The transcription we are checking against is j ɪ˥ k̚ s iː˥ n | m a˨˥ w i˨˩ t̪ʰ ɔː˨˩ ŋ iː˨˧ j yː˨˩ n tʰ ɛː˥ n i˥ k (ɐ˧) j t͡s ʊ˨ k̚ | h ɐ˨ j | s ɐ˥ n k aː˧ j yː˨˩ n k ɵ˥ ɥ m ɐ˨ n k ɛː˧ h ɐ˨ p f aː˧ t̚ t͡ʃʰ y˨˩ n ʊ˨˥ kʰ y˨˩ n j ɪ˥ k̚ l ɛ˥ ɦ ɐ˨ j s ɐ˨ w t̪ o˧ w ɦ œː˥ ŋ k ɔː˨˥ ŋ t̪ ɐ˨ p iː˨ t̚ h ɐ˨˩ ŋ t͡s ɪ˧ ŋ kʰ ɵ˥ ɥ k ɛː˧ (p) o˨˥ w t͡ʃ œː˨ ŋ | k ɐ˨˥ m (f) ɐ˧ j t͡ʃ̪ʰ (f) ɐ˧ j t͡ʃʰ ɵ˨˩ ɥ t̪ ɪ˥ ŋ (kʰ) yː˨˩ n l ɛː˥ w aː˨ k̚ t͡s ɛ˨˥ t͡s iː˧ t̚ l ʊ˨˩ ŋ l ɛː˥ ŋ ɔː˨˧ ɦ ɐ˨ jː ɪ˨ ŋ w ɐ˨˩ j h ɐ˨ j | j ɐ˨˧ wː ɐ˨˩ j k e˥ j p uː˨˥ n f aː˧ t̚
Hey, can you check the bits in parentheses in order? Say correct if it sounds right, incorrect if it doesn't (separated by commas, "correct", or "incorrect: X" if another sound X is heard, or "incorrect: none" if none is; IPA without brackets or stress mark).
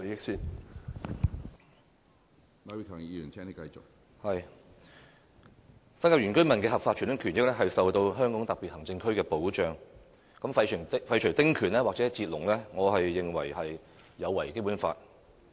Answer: correct, correct, correct, correct, correct